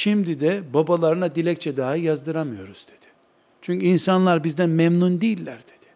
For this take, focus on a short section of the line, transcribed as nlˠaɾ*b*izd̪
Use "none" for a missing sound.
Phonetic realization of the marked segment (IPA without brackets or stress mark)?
b